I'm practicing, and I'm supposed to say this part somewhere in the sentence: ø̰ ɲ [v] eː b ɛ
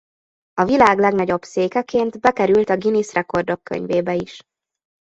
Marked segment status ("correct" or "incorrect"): correct